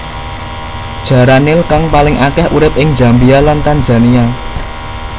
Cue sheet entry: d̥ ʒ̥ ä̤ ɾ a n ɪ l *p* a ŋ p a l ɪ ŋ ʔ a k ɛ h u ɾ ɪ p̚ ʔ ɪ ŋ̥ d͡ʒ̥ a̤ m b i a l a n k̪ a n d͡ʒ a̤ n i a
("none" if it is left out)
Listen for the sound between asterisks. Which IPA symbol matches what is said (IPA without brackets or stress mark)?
k